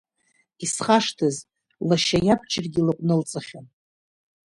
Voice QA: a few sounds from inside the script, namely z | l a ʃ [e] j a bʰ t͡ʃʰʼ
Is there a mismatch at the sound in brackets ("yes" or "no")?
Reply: yes